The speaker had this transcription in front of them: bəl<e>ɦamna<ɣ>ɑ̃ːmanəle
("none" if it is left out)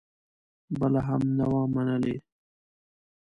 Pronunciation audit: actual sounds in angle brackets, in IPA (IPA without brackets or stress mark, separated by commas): a, w